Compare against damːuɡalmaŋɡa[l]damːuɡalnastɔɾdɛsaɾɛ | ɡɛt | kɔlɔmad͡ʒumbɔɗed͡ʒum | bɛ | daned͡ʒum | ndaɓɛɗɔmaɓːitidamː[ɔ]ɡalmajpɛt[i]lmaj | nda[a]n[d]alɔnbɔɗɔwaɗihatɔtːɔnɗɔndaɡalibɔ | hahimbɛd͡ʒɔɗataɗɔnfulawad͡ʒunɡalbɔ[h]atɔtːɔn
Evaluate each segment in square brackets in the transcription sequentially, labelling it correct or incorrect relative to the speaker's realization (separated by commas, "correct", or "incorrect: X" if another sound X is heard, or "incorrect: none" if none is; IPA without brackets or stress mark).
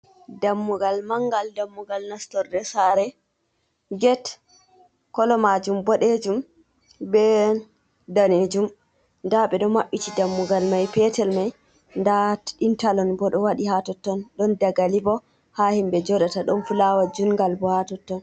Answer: correct, incorrect: u, incorrect: ɛ, incorrect: i, incorrect: t, correct